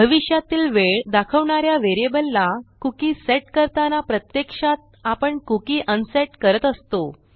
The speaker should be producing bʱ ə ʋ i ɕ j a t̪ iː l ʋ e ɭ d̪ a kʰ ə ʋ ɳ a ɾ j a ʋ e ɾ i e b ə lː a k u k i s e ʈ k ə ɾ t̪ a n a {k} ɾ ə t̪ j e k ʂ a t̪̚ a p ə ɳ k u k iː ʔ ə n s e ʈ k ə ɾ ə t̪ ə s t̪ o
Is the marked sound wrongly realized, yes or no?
yes